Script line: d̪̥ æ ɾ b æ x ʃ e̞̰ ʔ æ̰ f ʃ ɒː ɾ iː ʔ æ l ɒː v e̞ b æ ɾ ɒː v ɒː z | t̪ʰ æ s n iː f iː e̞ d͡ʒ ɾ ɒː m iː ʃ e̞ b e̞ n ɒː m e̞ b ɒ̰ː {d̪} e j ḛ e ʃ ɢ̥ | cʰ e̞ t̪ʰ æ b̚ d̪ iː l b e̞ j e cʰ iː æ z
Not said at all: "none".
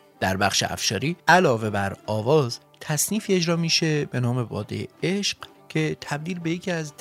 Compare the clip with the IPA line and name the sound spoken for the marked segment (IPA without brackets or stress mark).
d̪